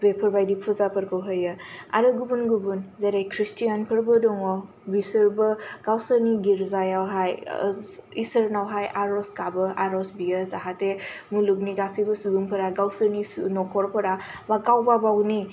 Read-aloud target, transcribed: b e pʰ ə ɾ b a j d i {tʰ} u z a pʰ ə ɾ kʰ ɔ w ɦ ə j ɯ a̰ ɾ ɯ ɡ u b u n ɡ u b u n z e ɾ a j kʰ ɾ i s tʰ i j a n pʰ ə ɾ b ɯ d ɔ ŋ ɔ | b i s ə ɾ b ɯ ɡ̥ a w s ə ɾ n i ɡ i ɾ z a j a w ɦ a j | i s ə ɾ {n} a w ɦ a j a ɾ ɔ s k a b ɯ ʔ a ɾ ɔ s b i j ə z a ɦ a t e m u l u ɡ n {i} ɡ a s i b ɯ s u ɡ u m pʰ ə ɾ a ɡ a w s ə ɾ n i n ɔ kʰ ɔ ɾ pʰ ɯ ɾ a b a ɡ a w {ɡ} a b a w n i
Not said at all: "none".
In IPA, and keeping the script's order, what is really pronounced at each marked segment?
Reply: pʰ, n, i, b

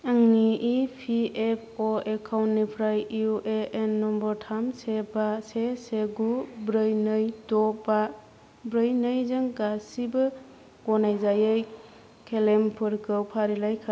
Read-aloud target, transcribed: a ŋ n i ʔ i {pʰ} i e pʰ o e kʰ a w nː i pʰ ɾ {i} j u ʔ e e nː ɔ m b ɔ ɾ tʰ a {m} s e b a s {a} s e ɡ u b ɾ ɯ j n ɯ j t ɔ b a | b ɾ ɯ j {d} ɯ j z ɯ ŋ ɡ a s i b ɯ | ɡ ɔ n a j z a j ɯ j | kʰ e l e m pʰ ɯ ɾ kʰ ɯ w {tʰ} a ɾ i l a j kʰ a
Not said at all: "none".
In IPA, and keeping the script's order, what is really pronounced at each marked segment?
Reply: pʰ, a, m, e, n, pʰ

